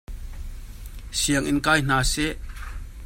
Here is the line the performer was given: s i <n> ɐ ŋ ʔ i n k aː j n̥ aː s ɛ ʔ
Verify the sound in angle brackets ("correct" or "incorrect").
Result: incorrect